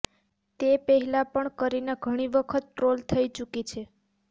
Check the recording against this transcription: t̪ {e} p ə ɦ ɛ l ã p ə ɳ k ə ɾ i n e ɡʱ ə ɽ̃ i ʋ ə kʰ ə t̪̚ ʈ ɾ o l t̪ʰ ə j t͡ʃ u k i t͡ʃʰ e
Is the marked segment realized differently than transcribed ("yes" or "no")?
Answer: no